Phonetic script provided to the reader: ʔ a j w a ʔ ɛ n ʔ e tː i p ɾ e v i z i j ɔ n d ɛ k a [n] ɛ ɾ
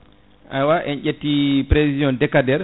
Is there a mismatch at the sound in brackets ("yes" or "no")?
yes